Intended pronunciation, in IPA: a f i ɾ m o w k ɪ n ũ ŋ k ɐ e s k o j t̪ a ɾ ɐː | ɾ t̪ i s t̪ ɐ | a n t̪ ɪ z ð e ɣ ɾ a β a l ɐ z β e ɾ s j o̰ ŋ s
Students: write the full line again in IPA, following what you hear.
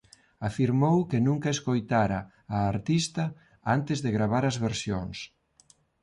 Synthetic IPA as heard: a f i ɾ m o w k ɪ n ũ ŋ k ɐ e s k o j t̪ a ɾ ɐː | ɾ t̪ i s t̪ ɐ | a n t̪ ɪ z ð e ɣ ɾ a β a ɾ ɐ z β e ɾ s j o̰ ŋ s

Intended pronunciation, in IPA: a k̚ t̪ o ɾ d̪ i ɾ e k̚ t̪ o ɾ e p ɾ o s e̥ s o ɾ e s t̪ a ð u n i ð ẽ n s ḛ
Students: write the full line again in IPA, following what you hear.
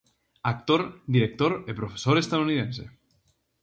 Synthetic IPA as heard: a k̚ t̪ o ɾ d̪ i ɾ e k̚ t̪ o ɾ e p ɾ o f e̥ s o ɾ e s t̪ a ð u n i ð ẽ n s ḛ

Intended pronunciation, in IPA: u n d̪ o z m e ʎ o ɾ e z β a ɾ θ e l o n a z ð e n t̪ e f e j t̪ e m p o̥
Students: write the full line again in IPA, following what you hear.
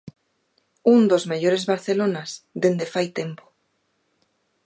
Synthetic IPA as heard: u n d̪ o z m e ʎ o ɾ e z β a ɾ θ e l o n a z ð e n d̪ e f a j t̪ e m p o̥

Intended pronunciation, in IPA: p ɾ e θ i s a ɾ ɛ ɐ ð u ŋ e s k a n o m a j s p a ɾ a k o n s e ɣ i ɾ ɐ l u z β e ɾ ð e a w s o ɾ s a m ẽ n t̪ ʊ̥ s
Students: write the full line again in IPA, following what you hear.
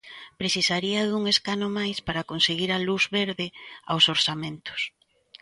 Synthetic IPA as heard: p ɾ e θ i s a ɾ i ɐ ð u ŋ e s k a n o m a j s p a ɾ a k o n s e ɣ i ɾ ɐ l u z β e ɾ ð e a w s o ɾ s a m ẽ n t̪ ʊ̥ s

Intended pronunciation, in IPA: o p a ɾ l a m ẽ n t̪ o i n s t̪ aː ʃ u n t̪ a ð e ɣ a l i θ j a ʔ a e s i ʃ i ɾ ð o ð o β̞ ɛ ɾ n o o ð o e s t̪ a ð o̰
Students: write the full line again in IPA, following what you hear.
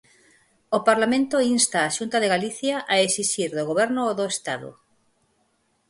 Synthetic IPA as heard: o p a ɾ l a m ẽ n t̪ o i n s t̪ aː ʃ u n t̪ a ð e ɣ a l i θ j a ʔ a e s i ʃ i ɾ ð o ɣ o β̞ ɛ ɾ n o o ð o e s t̪ a ð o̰

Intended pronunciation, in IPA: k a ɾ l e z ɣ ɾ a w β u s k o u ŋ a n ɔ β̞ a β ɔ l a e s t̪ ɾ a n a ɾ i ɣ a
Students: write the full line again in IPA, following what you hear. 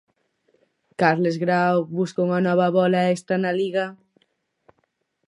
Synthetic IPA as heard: k a ɾ l e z ɣ ɾ a w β u s k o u ŋ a n ɔ β̞ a β ɔ l a e s t̪ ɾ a n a l i ɣ a

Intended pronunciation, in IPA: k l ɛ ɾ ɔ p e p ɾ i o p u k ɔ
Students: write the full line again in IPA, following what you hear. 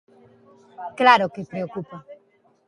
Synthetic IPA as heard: k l a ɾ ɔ k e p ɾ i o k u p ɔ

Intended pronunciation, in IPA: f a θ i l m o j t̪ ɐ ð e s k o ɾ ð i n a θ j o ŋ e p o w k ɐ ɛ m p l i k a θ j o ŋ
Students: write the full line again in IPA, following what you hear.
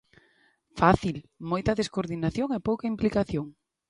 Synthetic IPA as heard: f a θ i l m o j t̪ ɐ ð e s k o ɾ ð i n a θ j o ŋ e p o w k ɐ i m p l i k a θ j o ŋ

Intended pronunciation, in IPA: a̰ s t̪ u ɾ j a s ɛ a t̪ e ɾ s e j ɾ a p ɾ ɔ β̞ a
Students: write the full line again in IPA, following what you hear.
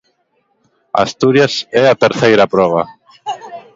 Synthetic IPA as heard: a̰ s t̪ u ɾ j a s ɛ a t̪ e ɾ θ e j ɾ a p ɾ ɔ β̞ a

